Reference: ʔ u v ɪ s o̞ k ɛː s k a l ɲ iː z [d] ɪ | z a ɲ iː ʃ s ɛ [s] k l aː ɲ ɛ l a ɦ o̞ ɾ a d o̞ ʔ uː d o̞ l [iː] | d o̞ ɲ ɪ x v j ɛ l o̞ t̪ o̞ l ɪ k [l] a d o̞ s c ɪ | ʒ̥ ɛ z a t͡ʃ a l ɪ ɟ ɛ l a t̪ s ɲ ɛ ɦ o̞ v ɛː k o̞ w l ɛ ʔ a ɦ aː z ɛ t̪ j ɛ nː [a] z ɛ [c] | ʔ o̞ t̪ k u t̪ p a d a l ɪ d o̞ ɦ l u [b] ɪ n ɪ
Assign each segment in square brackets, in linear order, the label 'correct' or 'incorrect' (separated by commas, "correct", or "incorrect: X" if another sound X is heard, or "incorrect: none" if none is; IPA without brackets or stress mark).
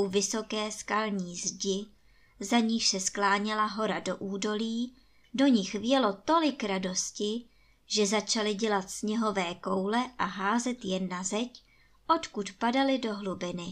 incorrect: ɟ, correct, correct, incorrect: ɾ, correct, correct, correct